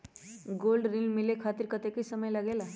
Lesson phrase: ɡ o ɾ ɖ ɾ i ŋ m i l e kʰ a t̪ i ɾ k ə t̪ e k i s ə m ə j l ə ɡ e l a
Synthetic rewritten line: ɡ o l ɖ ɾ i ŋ m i l e kʰ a t̪ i ɾ k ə t̪ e k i s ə m ə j l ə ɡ e l a